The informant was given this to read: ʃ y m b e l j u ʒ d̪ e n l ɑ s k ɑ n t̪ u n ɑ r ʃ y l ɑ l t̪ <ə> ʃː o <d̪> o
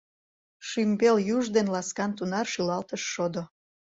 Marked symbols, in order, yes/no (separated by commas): yes, yes